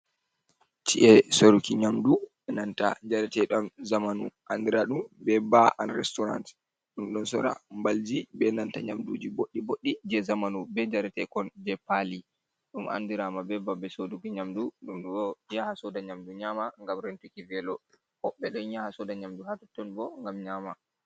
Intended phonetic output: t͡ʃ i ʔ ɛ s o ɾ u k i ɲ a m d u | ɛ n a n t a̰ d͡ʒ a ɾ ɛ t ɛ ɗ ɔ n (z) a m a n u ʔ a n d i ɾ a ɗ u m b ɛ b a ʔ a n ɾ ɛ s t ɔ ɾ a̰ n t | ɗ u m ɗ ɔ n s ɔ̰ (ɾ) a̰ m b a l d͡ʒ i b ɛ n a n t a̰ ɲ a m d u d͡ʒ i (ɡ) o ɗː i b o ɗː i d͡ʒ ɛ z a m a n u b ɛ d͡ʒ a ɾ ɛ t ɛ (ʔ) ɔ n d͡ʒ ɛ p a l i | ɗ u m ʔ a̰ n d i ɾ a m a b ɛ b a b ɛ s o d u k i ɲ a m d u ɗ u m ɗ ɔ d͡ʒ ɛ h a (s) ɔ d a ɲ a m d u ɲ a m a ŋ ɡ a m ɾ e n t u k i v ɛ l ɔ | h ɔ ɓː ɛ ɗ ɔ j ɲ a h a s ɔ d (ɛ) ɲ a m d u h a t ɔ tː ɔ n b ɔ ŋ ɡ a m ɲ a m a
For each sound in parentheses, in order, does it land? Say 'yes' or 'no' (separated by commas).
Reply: yes, yes, no, no, yes, no